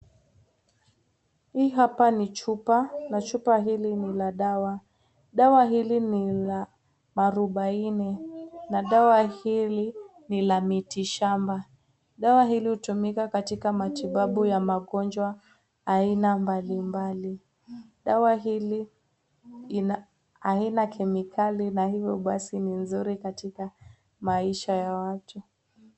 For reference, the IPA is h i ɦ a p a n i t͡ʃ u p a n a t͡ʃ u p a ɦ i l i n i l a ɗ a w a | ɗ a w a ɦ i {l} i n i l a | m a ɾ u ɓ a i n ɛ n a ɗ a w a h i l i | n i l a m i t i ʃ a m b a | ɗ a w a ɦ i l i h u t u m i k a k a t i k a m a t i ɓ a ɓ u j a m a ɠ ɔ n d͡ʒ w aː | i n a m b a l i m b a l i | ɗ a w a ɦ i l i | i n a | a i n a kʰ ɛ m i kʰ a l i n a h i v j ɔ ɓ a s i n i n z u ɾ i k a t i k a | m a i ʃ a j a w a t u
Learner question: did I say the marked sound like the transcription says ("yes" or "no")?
yes